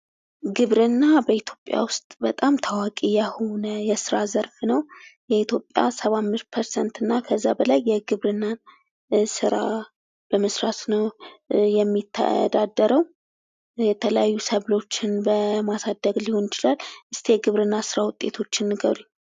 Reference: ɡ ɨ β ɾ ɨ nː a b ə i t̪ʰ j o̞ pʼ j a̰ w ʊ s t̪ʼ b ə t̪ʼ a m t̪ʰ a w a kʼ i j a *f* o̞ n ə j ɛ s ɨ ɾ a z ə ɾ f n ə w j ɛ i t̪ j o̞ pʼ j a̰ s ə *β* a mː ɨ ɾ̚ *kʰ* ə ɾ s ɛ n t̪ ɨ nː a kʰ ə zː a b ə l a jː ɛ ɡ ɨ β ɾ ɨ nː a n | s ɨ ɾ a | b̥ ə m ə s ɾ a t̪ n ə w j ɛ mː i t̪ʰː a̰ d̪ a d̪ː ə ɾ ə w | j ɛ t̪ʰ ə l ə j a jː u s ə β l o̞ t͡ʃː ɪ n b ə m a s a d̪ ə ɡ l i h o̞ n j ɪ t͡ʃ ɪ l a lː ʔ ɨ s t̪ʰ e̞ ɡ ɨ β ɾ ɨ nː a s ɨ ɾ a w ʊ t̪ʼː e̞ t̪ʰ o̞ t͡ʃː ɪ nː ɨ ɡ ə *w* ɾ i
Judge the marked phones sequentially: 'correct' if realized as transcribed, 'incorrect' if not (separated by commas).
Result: incorrect, correct, incorrect, incorrect